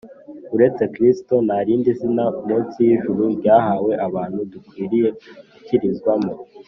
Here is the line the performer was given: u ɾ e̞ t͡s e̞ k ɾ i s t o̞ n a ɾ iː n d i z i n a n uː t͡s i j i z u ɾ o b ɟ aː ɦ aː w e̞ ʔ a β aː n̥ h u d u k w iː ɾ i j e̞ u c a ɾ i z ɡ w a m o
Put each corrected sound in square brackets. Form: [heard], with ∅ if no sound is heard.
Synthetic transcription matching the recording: u ɾ e̞ t͡s e̞ k ɾ i s t o̞ n a ɾ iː n d i z i n a [m] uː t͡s i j i [ʒ] u ɾ [u] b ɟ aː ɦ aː w e̞ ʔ a β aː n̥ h u d u k w iː ɾ i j e̞ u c [i] ɾ i z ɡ w a m o